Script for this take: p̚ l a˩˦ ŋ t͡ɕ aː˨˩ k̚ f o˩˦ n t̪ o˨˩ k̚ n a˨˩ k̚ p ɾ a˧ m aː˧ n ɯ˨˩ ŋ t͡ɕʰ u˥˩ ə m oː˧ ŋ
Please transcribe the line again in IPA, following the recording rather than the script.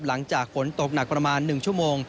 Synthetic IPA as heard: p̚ l a˩˦ ŋ t͡ɕ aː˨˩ k̚ f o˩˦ n t̪ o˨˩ k̚ n a˨˩ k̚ p ɾ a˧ m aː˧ nː ɯ˨˩ ŋ t͡ɕʰ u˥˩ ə m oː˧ ŋ